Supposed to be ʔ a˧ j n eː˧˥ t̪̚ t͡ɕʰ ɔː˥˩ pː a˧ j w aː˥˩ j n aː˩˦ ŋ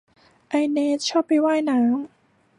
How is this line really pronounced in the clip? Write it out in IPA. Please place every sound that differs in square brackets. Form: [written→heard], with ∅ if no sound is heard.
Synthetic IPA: ʔ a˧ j n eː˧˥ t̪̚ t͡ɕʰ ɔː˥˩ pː a˧ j w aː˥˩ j n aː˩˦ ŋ